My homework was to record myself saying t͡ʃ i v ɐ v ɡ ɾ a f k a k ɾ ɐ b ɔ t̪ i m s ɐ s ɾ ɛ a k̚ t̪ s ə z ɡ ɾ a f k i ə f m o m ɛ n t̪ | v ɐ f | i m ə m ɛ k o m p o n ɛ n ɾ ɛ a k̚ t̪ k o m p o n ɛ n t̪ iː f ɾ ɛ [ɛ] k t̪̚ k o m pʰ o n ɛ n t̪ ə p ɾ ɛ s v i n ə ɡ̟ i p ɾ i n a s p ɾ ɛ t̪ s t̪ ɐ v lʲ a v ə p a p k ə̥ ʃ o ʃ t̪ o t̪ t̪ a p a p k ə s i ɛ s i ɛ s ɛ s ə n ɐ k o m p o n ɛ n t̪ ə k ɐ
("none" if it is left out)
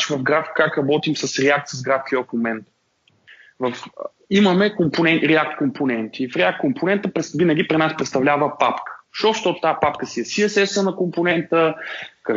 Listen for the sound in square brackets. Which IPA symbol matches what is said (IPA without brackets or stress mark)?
a